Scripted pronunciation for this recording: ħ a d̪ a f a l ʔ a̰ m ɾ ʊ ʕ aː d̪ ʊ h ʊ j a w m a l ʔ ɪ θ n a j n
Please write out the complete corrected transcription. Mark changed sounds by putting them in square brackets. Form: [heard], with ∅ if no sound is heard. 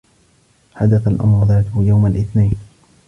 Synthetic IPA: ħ a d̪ a [θ] a l ʔ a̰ m ɾ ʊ [ð] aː [t̪] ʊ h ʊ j a w m a l ʔ ɪ θ n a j n